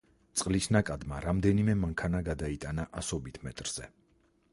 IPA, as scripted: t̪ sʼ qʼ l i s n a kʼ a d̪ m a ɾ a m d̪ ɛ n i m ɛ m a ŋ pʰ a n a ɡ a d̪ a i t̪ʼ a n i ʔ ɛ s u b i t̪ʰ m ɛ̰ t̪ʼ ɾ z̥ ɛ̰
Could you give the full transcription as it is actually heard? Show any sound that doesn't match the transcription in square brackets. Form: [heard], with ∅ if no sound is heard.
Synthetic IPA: t̪ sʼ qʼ l i s n a kʼ a d̪ m a ɾ a m d̪ ɛ n i m ɛ m a ŋ [kʰ] a n a ɡ a d̪ a i t̪ʼ a n [a] ʔ [a] s [ɔ] b i t̪ʰ m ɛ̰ t̪ʼ ɾ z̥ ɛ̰